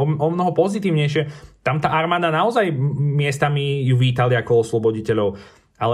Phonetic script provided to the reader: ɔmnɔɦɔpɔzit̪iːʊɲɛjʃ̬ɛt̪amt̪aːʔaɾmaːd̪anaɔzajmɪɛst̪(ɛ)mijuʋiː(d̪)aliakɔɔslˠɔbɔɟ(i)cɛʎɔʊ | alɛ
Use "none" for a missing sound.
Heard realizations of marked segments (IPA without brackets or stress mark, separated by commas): a, t̪, i